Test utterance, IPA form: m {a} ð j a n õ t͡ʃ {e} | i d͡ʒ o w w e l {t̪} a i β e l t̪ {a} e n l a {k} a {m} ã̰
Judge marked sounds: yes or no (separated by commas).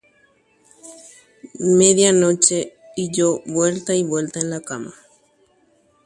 no, yes, yes, yes, yes, yes